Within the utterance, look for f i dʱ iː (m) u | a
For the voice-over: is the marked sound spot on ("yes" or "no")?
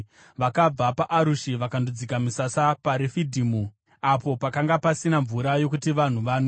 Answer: yes